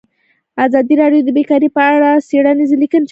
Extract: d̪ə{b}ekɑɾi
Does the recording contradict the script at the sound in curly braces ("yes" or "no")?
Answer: no